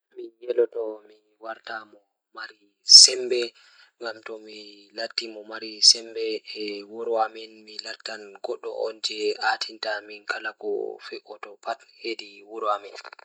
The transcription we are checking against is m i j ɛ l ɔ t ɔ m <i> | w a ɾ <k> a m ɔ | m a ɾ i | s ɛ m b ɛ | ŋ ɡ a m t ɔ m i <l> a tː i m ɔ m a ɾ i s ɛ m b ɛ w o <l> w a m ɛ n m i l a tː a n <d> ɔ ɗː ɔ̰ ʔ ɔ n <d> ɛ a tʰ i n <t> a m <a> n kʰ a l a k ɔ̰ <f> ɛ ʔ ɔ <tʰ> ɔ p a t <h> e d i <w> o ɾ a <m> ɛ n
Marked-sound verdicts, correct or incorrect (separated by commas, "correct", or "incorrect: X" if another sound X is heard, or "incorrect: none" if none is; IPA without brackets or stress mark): correct, incorrect: t, correct, incorrect: ɾ, incorrect: ɡ, incorrect: d͡ʒ, correct, incorrect: i, correct, incorrect: t, correct, correct, correct